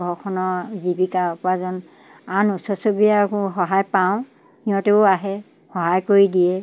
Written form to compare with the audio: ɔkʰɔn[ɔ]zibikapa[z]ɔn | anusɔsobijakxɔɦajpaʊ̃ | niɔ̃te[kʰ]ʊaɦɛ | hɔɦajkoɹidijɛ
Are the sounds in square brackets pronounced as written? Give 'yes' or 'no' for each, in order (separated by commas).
yes, yes, no